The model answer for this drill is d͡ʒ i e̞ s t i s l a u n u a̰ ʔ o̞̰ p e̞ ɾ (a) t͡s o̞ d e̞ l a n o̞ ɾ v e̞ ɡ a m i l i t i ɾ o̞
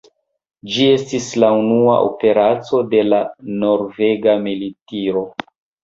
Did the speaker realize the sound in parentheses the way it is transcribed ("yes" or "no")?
yes